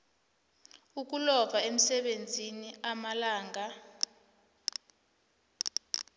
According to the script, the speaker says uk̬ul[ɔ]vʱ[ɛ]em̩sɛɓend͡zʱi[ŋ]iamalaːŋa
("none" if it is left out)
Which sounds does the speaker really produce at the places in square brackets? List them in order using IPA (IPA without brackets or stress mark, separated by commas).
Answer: ɔ, a, n